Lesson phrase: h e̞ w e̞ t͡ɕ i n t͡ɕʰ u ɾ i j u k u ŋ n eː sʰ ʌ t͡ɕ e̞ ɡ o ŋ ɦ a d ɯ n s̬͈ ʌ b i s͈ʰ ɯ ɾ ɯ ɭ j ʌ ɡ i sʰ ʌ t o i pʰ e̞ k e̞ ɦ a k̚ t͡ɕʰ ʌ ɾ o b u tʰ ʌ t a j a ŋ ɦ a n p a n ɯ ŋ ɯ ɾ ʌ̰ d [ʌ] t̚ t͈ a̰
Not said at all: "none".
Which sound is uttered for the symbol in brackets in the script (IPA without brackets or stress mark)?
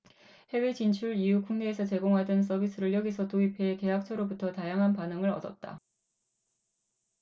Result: ʌ